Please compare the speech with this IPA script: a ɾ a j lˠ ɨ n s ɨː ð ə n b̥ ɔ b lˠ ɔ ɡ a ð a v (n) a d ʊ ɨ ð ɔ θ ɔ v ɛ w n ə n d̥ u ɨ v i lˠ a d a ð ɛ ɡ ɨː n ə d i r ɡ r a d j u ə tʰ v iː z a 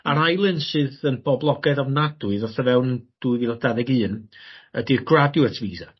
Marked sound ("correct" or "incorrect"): correct